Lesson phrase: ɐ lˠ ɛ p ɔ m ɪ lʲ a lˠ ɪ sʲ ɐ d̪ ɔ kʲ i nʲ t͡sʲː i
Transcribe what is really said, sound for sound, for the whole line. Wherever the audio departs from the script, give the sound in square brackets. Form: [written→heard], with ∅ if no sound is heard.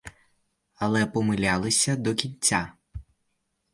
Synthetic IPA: ɐ lˠ ɛ p ɔ m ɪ lʲ a lˠ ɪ sʲ ɐ d̪ ɔ kʲ i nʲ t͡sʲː [i→a]